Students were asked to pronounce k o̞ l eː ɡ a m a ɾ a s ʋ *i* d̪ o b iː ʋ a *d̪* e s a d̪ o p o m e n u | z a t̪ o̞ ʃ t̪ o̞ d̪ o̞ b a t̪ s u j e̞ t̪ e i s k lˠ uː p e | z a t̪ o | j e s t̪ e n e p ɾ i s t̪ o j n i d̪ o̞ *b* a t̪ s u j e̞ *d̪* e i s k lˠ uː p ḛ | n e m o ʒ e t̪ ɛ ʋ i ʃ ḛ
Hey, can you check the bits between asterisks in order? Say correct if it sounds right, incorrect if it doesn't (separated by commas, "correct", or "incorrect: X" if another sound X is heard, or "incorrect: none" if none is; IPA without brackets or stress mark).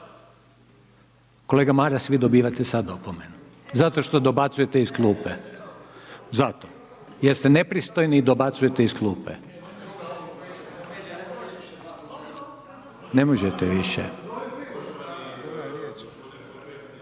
correct, incorrect: t̪, correct, incorrect: t̪